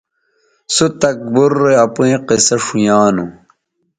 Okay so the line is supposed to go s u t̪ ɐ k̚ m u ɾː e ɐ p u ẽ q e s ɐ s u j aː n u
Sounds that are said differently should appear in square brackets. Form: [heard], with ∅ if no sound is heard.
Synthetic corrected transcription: s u t̪ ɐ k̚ [b] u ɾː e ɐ p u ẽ q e s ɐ [ʂ] u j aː n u